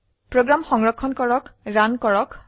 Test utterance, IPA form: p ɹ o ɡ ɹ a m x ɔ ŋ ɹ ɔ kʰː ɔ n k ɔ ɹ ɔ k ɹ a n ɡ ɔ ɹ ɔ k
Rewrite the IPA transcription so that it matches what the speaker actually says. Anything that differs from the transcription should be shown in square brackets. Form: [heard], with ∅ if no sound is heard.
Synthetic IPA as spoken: p ɹ o ɡ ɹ a m x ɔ ŋ ɹ ɔ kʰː ɔ n k ɔ ɹ ɔ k ɹ a n [k] ɔ ɹ ɔ k

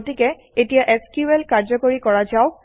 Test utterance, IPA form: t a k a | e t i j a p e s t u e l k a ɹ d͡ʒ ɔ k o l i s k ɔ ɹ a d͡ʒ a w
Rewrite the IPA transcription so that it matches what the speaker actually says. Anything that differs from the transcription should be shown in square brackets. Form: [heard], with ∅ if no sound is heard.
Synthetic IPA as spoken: t [i] k [ɛ] | e t i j a [ʔ] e s [k] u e l k a ɹ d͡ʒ ɔ k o [ɹ] i [∅] k ɔ ɹ a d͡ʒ a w

